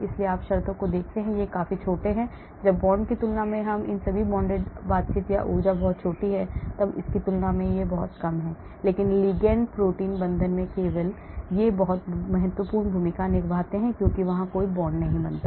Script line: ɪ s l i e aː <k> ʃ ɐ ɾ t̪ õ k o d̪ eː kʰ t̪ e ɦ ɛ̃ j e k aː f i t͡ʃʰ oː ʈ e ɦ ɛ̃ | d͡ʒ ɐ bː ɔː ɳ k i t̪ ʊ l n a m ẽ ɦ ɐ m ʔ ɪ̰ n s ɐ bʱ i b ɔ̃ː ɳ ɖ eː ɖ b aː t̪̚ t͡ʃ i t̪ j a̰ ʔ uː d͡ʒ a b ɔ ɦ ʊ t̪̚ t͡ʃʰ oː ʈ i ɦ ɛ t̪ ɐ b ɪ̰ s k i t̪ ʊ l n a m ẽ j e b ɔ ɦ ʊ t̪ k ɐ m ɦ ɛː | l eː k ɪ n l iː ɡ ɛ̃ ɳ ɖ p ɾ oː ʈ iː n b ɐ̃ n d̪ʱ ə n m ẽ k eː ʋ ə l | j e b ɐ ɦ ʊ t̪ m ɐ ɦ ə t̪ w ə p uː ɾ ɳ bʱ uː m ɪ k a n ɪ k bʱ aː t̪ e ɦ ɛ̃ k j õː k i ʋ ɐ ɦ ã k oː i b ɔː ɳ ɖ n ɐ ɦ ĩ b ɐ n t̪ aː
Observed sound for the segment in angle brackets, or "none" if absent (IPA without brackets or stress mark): p